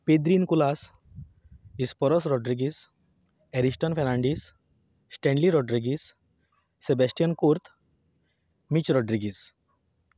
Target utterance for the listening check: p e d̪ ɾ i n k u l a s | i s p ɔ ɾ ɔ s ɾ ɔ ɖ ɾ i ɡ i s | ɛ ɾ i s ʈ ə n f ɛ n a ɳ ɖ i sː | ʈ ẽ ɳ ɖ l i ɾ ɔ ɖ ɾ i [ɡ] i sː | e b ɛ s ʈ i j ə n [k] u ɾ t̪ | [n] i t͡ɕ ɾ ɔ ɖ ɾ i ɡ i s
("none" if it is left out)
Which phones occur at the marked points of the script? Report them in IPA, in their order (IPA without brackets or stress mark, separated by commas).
ɡ, k, m